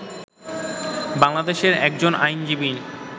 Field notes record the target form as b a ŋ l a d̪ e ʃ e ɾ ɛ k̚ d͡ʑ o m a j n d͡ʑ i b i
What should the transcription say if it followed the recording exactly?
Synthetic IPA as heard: b a ŋ l a d̪ e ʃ e ɾ ɛ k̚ d͡ʑ o n a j n d͡ʑ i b i